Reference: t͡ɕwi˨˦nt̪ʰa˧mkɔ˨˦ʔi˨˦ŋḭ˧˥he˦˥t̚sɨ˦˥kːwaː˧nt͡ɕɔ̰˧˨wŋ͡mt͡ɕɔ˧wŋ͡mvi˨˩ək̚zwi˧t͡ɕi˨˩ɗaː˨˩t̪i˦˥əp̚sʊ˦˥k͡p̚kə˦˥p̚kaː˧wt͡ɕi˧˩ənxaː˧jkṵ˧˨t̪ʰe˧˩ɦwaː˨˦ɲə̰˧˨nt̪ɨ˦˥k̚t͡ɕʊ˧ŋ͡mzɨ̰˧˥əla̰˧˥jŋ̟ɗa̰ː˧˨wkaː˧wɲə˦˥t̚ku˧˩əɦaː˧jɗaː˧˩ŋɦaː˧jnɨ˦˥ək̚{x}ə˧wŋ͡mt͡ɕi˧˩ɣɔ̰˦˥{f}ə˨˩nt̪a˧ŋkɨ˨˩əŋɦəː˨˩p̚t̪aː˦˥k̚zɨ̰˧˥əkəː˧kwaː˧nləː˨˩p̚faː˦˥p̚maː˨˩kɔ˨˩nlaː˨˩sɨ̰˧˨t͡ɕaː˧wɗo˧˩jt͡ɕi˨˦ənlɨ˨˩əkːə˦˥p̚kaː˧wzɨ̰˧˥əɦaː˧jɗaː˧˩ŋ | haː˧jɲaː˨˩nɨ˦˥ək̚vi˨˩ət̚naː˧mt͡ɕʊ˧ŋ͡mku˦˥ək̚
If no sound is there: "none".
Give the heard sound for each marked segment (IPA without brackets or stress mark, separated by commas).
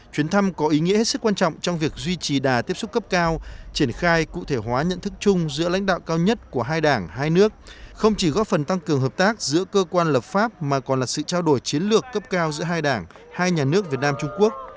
x, f